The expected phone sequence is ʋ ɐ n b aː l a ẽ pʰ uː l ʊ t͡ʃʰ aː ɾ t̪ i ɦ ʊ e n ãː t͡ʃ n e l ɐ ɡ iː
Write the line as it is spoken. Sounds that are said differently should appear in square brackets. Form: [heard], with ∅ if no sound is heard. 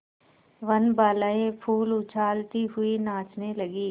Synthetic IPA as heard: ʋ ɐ n b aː l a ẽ pʰ uː l ʊ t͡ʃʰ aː [l] t̪ i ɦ ʊ [i] n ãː t͡ʃ n e l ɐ ɡ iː